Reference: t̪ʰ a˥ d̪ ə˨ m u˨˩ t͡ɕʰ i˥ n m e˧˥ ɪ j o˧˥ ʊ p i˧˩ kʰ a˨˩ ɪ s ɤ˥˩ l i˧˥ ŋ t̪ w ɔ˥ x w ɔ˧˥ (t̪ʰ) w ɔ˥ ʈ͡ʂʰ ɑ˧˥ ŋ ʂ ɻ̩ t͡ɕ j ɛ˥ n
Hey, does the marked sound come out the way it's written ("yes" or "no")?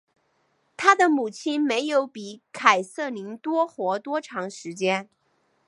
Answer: no